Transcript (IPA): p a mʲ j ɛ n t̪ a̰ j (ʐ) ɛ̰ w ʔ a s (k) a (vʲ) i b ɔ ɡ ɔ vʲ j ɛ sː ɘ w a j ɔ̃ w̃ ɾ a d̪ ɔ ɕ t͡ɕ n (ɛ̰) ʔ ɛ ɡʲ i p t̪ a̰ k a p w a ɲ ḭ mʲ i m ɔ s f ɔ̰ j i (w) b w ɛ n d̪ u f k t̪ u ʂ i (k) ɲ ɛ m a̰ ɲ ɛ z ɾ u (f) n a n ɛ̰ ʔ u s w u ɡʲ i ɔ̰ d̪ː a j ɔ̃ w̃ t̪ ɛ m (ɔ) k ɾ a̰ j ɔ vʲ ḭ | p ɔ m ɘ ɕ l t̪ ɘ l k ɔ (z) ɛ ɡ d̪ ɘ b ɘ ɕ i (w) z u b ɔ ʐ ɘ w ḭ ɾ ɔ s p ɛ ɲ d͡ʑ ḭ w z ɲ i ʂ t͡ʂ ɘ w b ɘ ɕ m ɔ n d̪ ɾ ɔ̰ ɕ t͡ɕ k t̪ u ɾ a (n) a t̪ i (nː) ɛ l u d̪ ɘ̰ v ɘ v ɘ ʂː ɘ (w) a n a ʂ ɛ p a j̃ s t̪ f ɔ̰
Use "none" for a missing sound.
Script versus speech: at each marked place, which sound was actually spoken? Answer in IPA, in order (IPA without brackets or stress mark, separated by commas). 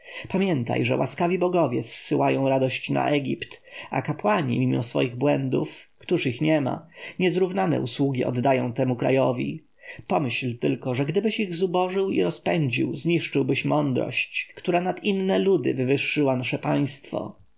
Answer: ʐ, k, vʲ, a̰, ɣ, x, v, u, ʐ, ɣ, n, nː, w